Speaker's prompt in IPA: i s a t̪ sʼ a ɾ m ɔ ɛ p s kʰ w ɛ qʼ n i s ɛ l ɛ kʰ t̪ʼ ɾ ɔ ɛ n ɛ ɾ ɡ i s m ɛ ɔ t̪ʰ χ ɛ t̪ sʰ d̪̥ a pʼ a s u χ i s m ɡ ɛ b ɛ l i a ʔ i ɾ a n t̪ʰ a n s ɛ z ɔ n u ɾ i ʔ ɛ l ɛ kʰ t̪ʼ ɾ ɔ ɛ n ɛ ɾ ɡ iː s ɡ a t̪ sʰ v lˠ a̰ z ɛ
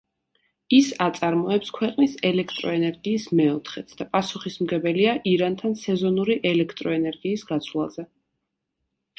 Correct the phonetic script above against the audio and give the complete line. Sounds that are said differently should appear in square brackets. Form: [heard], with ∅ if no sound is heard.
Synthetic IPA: i s a t̪ sʼ a ɾ m ɔ ɛ p s kʰ w ɛ qʼ n i s ɛ l ɛ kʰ t̪ʼ ɾ ɔ ɛ n ɛ ɾ ɡ [iː] s m ɛ ɔ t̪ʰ χ ɛ t̪ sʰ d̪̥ a pʼ a s u χ i s m ɡ ɛ b ɛ l i a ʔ i ɾ a n t̪ʰ a n s ɛ z ɔ n u ɾ i ʔ ɛ l ɛ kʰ t̪ʼ ɾ ɔ ɛ n ɛ ɾ ɡ iː s ɡ a t̪ sʰ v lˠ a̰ z ɛ